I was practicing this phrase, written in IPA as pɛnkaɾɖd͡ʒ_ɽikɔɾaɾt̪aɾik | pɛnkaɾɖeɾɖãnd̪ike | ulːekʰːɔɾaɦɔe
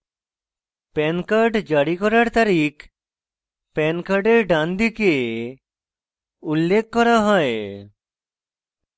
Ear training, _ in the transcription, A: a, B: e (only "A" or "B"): A